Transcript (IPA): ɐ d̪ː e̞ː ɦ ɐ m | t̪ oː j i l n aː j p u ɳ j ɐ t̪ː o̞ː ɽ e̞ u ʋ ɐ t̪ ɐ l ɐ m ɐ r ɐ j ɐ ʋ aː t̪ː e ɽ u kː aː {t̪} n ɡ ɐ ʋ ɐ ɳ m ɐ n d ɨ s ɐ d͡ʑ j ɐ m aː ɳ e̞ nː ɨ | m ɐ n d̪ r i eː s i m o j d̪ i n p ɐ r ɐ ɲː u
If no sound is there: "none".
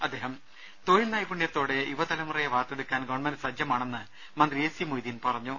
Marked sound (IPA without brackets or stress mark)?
none